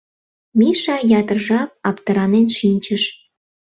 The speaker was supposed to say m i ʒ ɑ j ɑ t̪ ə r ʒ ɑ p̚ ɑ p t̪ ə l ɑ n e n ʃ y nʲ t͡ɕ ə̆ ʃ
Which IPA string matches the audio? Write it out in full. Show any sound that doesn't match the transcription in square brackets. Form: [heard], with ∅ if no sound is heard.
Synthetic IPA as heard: m i [ʃ] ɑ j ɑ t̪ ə r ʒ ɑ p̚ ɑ p t̪ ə [ɾ] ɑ n e n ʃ [i] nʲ t͡ɕ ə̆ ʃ